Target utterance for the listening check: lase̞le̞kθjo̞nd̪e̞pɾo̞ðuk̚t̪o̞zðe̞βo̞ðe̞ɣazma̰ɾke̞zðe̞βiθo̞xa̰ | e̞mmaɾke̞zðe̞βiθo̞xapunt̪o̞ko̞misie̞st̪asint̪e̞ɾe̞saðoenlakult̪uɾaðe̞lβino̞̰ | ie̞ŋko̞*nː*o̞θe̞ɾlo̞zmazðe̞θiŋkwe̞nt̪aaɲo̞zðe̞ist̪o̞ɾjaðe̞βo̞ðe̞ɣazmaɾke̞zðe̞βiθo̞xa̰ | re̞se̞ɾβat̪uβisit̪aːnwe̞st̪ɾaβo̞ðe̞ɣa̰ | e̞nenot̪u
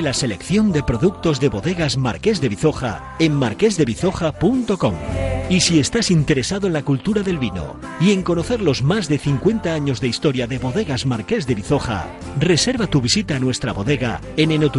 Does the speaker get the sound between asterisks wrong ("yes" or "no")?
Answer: yes